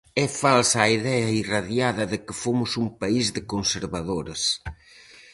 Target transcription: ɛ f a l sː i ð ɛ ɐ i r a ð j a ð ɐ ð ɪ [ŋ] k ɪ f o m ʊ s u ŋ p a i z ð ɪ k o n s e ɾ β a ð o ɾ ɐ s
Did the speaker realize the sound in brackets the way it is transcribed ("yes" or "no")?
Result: no